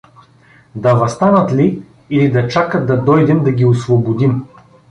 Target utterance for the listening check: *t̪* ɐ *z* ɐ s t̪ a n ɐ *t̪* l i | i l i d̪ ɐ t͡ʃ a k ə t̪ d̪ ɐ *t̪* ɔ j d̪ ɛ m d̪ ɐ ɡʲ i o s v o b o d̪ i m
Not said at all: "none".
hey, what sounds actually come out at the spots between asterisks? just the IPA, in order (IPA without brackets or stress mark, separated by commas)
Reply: d̪, v, t̪, d̪